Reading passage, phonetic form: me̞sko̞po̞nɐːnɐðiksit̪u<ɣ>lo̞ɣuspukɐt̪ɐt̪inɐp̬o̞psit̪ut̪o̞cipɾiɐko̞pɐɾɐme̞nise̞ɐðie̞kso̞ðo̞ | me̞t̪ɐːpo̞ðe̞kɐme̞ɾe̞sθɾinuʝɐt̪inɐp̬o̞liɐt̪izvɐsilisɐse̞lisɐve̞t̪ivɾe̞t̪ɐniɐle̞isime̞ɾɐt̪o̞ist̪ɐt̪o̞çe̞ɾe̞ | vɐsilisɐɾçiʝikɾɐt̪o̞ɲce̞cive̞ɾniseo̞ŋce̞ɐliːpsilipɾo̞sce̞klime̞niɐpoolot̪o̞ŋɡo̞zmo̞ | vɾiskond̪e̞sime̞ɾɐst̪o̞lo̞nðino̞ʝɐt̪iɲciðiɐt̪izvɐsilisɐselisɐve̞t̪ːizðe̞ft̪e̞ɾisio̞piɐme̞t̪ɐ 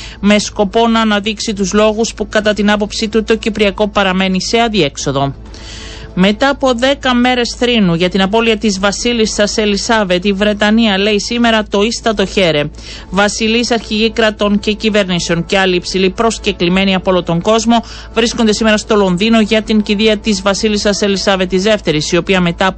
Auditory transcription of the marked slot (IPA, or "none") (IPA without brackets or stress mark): z